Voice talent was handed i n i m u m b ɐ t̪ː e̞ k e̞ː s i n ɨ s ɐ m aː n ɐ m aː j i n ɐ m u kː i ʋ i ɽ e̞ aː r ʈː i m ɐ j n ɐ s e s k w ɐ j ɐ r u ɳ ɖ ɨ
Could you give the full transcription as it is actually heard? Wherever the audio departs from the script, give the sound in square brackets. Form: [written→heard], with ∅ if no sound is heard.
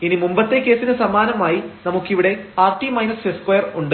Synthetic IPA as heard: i n i m u m b ɐ t̪ː e̞ k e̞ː s i n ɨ s ɐ m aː n ɐ m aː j i n ɐ m u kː i ʋ i ɽ e̞ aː r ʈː i m ɐ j n ɐ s e s k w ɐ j ɐ r u ɳ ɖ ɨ